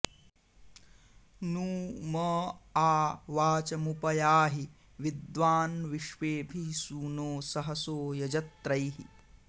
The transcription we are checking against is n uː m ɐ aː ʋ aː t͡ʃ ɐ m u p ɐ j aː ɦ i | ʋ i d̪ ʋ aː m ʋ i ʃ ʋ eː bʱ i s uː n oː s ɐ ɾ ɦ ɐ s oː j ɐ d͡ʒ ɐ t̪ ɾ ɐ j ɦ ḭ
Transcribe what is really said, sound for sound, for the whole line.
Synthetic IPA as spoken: n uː m ɐ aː ʋ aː t͡ʃ ɐ m u p ɐ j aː ɦ i | ʋ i d̪ ʋ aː n ʋ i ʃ ʋ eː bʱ i s uː n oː s ɐ ɦ ɐ s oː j ɐ d͡ʒ ɐ t̪ ɾ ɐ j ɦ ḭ